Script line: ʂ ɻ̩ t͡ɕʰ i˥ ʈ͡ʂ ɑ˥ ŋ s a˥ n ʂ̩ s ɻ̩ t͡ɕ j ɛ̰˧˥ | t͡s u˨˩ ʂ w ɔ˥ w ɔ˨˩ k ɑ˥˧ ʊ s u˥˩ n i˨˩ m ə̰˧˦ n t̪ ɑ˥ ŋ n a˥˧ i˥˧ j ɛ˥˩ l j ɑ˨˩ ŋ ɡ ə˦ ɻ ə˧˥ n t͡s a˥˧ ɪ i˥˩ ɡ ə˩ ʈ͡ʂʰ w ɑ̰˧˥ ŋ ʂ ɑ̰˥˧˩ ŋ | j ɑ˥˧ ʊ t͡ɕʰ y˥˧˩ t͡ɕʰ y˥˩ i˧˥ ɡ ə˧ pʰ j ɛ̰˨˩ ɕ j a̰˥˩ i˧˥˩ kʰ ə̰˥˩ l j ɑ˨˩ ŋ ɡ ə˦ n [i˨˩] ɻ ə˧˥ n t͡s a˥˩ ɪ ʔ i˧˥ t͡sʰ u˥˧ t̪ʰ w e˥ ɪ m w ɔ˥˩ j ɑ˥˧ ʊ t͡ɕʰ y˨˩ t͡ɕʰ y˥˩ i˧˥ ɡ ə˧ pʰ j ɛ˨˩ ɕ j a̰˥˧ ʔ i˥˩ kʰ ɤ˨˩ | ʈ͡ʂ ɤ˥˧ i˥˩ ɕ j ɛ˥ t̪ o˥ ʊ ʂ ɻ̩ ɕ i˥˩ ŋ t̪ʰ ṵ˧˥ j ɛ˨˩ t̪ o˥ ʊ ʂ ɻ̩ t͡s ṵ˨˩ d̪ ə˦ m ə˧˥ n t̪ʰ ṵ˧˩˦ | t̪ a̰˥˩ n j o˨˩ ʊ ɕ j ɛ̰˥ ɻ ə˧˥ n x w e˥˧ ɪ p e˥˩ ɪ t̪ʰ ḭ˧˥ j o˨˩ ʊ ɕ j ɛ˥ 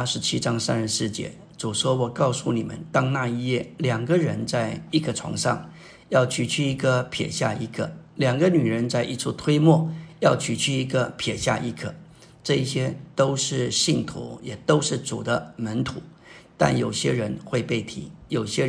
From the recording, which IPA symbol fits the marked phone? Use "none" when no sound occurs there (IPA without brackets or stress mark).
y˨˩